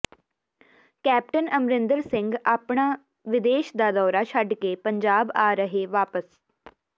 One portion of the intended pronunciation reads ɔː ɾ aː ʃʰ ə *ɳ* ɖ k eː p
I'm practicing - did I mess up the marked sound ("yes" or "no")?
yes